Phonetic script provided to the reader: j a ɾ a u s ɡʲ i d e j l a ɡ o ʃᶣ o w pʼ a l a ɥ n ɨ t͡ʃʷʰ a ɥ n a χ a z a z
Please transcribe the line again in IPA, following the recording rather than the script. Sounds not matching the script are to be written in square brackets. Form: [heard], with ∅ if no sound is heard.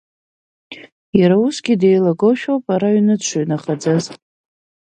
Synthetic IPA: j a ɾ a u s ɡʲ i d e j l a ɡ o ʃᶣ o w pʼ a [ɾ] a ɥ n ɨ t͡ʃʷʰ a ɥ n a χ a [d͡z] a z